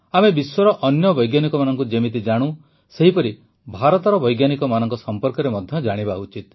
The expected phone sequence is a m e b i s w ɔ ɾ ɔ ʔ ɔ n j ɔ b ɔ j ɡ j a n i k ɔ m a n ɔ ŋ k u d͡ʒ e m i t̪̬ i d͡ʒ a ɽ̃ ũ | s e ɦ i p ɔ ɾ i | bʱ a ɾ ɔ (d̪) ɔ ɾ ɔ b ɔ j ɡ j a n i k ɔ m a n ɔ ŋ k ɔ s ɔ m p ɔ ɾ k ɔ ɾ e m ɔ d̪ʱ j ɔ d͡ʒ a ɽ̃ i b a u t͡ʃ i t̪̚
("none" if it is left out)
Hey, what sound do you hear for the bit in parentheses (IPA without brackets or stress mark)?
t̪